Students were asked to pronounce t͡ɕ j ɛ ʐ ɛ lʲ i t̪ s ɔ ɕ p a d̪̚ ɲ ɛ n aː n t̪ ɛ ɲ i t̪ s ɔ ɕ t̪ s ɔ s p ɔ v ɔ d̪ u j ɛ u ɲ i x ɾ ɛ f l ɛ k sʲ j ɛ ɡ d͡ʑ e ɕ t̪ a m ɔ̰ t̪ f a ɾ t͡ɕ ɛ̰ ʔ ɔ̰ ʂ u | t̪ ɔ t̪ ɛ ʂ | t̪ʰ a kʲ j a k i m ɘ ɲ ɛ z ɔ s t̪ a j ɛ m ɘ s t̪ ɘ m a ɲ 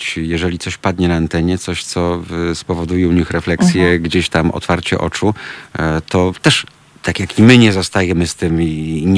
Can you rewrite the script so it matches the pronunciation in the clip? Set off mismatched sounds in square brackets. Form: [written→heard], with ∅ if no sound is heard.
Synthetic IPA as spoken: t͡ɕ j ɛ ʐ ɛ lʲ i t̪ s ɔ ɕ p a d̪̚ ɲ ɛ n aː n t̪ ɛ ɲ [i→ɛ] t̪ s ɔ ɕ t̪ s ɔ s p ɔ v ɔ d̪ u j ɛ u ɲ i x ɾ ɛ f l ɛ k sʲ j ɛ ɡ d͡ʑ e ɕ t̪ a m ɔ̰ t̪ f a ɾ t͡ɕ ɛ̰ ʔ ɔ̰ [ʂ→t͡ʂ] u | t̪ ɔ t̪ ɛ ʂ | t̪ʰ a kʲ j a k i m ɘ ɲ ɛ z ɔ s t̪ a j ɛ m ɘ s t̪ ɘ m [a→i] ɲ